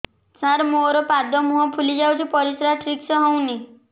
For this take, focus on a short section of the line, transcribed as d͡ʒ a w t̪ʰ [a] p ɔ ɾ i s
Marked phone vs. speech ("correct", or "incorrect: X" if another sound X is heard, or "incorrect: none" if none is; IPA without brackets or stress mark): incorrect: i